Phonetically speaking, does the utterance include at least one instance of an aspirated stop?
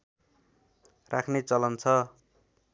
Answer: yes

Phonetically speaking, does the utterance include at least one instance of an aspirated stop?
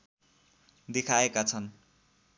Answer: yes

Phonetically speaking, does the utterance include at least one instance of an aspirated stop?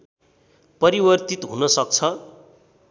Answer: yes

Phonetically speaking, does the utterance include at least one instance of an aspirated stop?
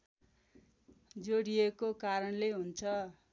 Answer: yes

